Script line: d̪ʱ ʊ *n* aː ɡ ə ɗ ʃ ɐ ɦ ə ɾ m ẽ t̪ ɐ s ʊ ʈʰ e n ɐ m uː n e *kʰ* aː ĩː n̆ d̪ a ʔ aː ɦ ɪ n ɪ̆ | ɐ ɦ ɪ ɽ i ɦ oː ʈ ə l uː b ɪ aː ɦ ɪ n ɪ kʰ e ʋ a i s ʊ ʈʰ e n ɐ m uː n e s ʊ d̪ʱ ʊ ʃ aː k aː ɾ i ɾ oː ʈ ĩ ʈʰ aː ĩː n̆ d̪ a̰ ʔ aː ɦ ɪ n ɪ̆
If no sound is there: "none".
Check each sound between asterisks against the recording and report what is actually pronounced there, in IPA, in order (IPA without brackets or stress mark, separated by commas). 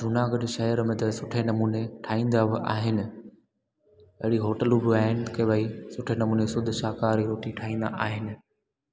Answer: n, ʈʰ